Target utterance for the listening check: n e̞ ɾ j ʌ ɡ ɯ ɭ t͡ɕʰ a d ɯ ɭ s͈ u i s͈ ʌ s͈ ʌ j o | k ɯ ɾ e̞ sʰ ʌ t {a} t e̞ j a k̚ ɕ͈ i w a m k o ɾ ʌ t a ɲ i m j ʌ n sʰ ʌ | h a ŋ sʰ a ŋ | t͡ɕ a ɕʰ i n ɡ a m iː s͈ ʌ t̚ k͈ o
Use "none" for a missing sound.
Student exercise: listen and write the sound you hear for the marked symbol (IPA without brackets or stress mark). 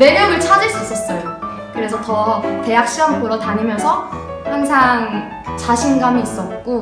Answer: ʌ